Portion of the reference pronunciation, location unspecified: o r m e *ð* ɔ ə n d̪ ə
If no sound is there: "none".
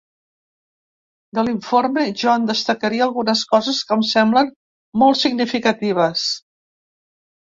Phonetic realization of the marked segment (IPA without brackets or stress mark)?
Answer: ʒ